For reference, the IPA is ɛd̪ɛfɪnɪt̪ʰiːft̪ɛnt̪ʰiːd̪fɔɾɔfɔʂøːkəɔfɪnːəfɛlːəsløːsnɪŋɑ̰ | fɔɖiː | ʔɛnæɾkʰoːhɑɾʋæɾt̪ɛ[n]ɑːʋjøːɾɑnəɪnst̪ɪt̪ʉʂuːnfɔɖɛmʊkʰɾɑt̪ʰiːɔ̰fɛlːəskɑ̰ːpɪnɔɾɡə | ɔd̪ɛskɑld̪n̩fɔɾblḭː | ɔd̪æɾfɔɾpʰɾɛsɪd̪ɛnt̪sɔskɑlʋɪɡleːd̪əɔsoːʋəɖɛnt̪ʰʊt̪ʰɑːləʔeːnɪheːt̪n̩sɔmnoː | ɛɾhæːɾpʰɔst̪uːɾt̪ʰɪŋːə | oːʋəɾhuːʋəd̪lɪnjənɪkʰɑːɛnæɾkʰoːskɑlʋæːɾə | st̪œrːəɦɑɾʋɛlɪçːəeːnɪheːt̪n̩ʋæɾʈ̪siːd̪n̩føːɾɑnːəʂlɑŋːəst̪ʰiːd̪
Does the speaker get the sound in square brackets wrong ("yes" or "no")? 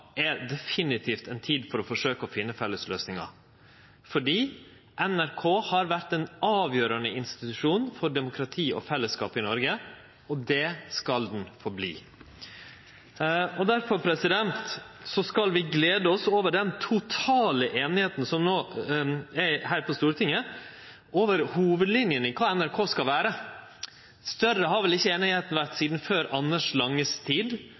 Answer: no